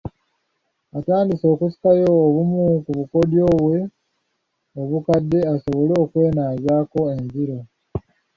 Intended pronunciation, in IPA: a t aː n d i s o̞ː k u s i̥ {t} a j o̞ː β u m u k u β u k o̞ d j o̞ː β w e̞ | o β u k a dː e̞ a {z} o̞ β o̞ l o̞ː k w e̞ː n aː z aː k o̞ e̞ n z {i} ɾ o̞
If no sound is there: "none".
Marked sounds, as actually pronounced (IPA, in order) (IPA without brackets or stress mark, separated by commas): k, s, i